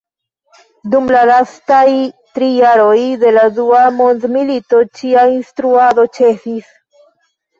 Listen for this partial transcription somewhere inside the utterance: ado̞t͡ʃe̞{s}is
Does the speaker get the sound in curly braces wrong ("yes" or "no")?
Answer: yes